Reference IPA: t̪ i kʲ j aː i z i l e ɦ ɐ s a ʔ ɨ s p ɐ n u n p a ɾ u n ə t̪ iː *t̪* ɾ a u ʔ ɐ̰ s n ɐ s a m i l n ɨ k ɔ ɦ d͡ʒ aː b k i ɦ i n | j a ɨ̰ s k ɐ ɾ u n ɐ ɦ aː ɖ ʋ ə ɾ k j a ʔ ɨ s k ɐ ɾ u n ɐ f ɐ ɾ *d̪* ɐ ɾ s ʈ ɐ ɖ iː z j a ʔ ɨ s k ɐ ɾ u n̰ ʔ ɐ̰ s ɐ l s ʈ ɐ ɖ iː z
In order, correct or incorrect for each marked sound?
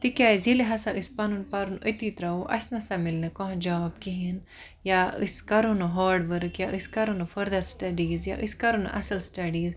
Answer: correct, correct

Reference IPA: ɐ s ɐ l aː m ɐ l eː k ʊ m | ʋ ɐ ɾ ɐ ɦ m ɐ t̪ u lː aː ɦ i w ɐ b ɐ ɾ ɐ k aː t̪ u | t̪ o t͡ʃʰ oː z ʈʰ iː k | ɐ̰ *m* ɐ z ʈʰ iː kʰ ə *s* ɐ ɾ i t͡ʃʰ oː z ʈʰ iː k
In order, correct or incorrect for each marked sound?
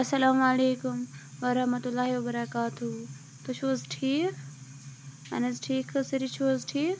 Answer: incorrect: n, correct

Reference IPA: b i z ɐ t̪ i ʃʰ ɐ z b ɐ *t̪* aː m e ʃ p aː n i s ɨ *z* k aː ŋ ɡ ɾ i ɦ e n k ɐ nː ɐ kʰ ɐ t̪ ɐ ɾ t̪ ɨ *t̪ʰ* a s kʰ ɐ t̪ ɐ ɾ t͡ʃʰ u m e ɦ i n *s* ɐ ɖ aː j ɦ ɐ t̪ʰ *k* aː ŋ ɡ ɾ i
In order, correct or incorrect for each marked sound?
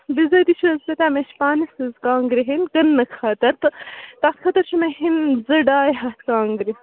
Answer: correct, correct, incorrect: t̪, incorrect: z, correct

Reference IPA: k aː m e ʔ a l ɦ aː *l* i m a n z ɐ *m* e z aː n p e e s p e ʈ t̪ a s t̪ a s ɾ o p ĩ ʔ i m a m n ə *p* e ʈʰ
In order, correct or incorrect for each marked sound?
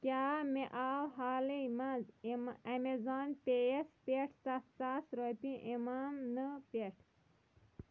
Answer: correct, correct, correct

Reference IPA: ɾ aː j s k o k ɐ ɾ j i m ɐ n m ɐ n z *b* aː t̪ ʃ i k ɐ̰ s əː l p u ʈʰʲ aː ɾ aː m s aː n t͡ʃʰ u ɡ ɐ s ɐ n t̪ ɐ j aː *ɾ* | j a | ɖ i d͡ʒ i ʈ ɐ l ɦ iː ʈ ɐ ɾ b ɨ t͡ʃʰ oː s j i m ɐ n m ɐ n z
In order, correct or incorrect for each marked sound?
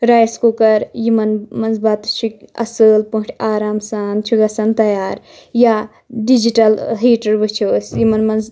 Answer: correct, correct

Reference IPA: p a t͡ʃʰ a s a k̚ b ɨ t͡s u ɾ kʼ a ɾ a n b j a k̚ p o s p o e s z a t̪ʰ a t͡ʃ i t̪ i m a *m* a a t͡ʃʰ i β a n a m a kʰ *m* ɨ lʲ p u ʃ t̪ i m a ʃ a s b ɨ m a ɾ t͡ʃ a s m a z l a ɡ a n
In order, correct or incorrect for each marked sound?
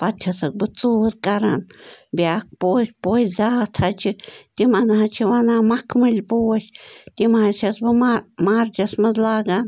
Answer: incorrect: n, correct

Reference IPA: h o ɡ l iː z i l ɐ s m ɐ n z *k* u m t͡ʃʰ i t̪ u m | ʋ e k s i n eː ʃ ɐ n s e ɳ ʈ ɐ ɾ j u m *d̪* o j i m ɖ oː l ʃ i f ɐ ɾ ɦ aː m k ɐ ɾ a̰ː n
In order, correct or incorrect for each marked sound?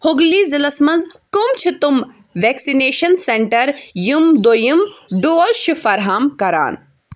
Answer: correct, correct

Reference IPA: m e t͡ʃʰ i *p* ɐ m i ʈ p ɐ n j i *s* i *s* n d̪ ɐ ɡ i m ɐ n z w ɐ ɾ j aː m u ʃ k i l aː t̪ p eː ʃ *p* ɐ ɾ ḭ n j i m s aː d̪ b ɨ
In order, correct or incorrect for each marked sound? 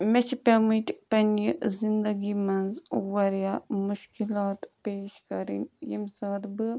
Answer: correct, incorrect: z, incorrect: none, incorrect: k

